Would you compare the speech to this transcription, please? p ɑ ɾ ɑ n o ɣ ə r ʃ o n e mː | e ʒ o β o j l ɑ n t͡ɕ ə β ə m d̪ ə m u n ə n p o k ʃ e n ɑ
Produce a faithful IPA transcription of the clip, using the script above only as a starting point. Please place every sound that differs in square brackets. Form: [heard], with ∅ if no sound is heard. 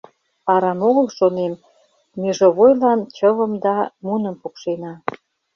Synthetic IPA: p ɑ ɾ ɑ n o ɣ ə [l] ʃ o n e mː | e ʒ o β o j l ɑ n t͡ɕ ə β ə m d̪ [ɑ] m u n ə [m] p [u] k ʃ e n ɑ